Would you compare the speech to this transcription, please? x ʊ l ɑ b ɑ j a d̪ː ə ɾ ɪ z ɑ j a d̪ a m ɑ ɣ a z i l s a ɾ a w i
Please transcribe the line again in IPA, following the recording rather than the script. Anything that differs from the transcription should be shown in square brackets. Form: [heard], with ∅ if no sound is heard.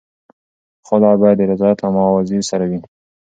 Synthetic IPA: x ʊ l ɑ b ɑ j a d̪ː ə ɾ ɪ z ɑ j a [t̪] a m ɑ [w] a z i [ɾ] s a ɾ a w i